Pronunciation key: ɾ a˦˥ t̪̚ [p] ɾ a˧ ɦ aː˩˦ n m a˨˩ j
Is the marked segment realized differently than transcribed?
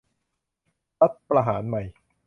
no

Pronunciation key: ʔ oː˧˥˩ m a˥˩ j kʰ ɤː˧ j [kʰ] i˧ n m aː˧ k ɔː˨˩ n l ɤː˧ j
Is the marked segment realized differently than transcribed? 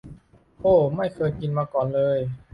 yes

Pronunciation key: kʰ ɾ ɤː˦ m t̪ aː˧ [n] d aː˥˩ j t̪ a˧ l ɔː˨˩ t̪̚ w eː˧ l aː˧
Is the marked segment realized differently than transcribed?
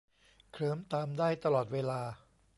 yes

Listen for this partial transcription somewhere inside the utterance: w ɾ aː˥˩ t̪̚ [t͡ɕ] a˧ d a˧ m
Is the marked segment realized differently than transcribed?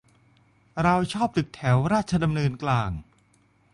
yes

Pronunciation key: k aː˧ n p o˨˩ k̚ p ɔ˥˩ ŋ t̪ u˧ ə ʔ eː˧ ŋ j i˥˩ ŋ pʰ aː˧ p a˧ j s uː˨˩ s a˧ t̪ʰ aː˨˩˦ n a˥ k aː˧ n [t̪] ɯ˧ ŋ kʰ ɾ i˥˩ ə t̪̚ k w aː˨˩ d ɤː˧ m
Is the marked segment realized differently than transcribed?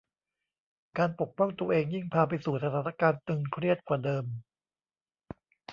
no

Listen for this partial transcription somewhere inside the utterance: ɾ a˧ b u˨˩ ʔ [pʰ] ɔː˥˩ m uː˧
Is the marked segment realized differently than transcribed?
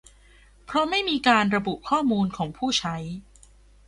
yes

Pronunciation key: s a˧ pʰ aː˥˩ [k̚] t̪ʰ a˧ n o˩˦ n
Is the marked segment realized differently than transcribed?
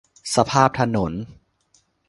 yes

